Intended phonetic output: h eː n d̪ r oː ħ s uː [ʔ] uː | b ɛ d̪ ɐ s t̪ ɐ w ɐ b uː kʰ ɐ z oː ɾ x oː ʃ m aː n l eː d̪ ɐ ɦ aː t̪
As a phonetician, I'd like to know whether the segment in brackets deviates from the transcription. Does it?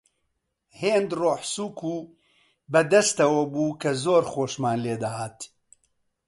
yes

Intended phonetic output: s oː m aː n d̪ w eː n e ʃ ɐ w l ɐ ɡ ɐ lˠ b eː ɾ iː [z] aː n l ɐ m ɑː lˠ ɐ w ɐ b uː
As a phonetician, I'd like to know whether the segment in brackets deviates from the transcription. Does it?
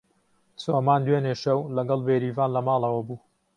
yes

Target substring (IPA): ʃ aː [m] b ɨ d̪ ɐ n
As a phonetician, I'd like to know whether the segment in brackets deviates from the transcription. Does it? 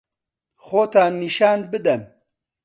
yes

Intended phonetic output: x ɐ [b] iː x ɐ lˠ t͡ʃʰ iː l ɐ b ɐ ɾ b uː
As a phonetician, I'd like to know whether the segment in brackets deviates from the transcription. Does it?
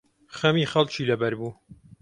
yes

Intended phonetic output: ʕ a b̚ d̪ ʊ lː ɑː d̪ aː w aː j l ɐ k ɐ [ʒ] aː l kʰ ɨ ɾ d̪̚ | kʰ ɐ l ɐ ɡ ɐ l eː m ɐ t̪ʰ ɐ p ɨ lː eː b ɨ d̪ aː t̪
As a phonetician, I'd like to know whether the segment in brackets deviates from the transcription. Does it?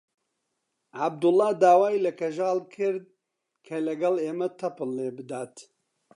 no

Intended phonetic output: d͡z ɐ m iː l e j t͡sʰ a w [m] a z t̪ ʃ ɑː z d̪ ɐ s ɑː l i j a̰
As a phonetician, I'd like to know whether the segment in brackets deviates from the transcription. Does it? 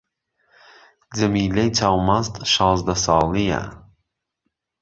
no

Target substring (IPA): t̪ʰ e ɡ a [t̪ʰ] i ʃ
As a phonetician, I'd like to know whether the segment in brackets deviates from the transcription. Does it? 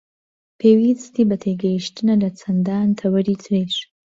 yes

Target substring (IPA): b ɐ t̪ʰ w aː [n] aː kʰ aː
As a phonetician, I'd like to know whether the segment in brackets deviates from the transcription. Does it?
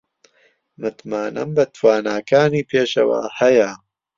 no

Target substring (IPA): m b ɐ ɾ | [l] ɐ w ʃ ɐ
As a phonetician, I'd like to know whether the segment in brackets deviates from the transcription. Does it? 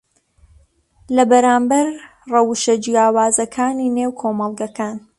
yes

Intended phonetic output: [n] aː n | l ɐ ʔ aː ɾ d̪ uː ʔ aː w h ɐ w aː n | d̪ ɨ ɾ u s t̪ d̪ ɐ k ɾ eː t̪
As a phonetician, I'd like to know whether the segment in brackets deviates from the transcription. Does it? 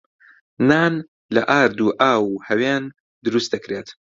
no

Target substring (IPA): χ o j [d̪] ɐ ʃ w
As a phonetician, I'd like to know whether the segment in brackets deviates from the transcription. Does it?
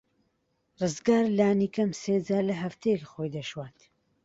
no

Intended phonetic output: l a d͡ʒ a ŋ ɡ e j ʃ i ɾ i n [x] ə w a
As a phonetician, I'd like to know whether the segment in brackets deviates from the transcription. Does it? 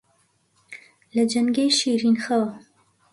no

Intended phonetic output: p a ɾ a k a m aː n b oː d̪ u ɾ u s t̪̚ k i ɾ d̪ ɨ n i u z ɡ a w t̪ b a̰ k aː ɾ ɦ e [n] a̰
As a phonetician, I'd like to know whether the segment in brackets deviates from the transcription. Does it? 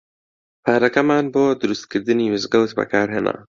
no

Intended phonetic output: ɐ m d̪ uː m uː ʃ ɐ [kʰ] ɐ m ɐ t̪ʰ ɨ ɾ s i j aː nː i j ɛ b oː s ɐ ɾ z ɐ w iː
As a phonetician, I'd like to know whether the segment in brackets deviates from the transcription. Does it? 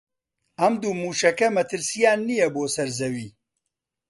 yes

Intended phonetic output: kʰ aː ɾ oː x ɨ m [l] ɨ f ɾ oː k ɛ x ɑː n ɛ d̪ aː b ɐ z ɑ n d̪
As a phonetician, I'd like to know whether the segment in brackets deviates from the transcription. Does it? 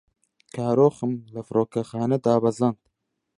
no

